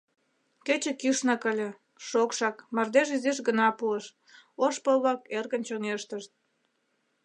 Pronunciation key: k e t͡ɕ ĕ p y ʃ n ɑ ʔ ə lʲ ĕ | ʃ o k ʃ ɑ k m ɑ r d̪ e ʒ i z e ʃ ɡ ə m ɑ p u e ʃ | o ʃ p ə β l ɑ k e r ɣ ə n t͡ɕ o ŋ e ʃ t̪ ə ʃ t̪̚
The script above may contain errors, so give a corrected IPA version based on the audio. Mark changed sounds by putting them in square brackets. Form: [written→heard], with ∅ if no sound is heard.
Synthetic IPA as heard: k e t͡ɕ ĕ [p→k] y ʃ n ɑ [ʔ→k] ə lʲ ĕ | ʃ o k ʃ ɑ k m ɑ r d̪ e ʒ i z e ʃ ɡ ə [m→n] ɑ p u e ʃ | o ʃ p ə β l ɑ k e r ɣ ə n t͡ɕ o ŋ e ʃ t̪ ə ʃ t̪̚